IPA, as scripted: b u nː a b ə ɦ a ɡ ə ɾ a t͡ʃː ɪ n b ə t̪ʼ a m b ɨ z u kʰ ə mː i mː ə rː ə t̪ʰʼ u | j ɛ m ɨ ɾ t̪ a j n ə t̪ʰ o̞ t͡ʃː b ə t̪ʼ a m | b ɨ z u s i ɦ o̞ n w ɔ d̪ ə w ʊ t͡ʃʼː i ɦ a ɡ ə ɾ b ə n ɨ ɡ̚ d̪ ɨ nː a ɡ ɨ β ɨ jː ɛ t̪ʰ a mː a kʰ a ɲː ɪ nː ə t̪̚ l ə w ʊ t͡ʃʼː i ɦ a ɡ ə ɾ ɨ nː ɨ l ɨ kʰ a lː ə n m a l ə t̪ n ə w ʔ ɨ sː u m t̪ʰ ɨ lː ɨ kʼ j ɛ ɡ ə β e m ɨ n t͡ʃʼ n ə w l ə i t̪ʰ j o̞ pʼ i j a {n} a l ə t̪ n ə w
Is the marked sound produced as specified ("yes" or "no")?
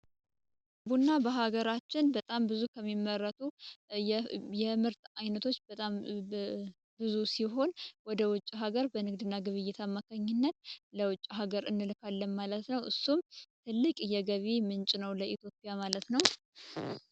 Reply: no